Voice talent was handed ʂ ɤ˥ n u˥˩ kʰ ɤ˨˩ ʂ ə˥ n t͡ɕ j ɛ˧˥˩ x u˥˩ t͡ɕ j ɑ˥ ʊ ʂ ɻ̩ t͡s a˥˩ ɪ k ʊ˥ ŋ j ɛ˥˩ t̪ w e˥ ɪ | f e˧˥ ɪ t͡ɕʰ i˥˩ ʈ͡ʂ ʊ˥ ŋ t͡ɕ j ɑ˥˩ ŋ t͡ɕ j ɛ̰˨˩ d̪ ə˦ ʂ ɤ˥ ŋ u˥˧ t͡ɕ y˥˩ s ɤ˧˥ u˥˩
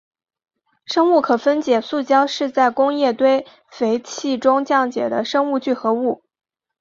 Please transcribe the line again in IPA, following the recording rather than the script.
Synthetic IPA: ʂ ɤ˥ ŋ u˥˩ kʰ ɤ˨˩ f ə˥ n t͡ɕ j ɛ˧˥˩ s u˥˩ t͡ɕ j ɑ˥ ʊ ʂ ɻ̩ t͡s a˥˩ ɪ k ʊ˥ ŋ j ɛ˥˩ t̪ w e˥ ɪ | f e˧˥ ɪ t͡ɕʰ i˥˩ ʈ͡ʂ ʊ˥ ŋ t͡ɕ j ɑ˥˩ ŋ t͡ɕ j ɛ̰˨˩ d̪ ə˦ ʂ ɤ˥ ŋ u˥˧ t͡ɕ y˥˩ x ɤ˧˥ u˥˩